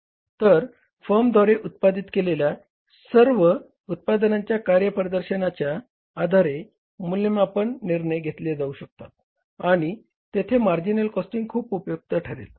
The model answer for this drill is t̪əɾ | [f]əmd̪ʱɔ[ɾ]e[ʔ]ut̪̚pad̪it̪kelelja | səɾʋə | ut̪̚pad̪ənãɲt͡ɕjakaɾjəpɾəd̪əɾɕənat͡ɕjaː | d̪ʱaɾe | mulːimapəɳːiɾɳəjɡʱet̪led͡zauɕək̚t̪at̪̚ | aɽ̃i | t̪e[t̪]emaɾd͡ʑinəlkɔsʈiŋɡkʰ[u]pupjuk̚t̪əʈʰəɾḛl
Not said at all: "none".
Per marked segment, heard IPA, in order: f, ɾ, ʔ, t̪ʰ, uː

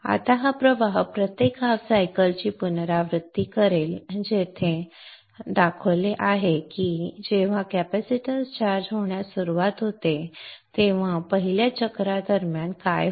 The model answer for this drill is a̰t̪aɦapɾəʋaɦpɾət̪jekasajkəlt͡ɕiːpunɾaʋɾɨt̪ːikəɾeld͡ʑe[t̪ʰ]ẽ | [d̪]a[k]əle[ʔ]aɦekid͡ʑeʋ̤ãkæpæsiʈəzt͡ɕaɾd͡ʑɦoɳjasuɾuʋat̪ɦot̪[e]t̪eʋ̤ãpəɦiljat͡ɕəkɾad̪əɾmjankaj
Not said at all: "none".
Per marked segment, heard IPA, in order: t̪ʰ, d̪, kʰ, ʔ, e

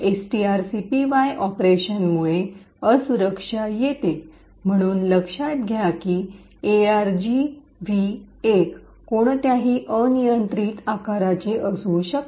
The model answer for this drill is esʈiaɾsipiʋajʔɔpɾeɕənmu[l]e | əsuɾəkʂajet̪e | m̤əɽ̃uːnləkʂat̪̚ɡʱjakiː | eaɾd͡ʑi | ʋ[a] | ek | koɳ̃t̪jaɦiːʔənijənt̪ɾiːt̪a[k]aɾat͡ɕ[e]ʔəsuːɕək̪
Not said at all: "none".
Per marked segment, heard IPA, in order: ɭ, i, k, e

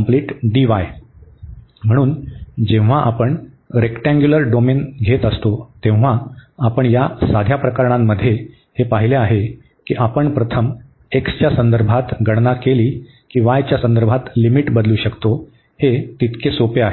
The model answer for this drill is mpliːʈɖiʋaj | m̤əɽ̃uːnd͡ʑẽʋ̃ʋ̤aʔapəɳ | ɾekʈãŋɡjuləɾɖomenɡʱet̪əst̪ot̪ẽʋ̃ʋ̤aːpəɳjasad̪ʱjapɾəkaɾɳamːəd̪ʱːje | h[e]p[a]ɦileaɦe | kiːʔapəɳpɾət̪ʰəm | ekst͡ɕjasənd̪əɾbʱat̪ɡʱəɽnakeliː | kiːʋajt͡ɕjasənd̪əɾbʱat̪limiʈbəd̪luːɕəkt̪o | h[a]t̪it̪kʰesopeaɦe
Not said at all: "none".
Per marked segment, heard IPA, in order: e, a, e

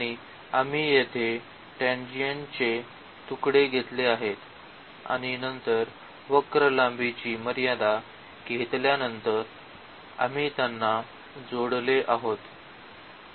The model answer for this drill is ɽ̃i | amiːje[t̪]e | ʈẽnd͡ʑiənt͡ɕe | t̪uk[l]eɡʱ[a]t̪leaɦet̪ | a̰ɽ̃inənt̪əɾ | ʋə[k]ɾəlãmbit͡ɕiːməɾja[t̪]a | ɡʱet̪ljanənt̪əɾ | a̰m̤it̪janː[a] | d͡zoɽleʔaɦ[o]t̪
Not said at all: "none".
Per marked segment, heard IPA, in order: t̪ʰ, ɽ, e, k, d̪, a, o

